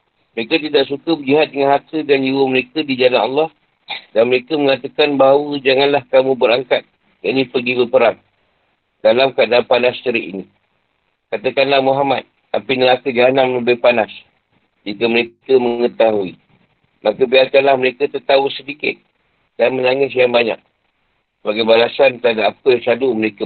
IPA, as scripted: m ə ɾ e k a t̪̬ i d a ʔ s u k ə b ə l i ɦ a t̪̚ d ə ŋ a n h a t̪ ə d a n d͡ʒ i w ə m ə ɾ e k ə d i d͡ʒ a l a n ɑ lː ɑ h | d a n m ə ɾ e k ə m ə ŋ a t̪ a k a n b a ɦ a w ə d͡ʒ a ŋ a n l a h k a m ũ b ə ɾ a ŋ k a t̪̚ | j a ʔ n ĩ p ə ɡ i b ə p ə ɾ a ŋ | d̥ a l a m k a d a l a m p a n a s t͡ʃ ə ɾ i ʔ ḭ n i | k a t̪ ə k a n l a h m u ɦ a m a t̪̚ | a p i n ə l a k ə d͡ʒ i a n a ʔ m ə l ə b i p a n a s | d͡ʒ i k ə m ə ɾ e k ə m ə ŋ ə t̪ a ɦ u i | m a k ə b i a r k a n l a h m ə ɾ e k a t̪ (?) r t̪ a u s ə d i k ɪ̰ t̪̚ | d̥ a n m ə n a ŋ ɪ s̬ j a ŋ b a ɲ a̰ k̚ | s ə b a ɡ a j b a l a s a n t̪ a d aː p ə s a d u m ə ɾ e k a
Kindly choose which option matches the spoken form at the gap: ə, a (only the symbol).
ə